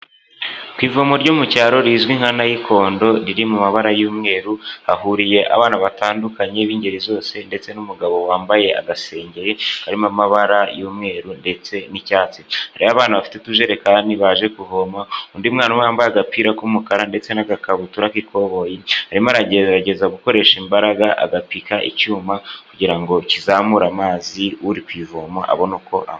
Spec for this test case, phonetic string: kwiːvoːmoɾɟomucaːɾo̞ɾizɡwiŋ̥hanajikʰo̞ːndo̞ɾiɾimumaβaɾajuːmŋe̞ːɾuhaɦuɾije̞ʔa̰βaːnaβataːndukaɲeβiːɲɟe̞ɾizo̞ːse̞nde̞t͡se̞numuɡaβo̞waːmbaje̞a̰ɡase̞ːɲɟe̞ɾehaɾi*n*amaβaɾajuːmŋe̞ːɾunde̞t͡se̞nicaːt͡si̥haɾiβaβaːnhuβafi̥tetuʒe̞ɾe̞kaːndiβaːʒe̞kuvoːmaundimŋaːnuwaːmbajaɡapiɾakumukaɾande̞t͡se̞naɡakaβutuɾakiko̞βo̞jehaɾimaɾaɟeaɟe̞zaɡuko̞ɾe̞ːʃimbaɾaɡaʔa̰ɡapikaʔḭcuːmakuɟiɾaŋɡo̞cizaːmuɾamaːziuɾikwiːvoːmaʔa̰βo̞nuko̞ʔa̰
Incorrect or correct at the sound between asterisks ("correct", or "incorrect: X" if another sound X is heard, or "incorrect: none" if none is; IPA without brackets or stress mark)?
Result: incorrect: m